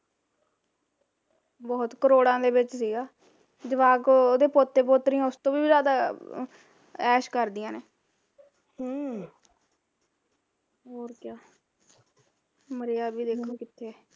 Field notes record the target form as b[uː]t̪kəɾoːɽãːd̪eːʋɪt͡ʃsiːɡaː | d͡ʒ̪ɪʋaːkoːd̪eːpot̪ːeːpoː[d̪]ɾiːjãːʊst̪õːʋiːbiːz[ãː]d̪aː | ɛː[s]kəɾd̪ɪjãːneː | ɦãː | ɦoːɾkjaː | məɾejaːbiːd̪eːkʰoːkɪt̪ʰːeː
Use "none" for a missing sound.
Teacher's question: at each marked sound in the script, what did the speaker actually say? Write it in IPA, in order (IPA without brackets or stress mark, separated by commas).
ɔː, t̪, aː, ʃ